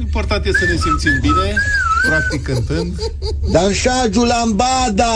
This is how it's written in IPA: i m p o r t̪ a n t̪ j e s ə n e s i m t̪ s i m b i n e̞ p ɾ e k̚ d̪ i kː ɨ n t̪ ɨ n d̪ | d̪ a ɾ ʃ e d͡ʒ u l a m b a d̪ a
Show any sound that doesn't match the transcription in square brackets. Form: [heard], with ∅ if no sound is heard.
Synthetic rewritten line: i m p o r t̪ a n t̪ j e s ə n e s i m t̪ s i m b i n e̞ p ɾ [a] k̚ [t̪] i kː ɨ n t̪ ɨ n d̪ | d̪ a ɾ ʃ [a] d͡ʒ u l a m b a d̪ a